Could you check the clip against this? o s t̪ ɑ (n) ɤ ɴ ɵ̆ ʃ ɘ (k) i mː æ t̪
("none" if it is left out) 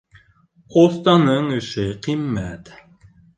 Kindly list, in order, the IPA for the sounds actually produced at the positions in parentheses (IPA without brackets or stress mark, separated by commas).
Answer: n, q